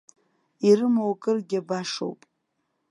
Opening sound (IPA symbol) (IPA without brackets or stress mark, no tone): i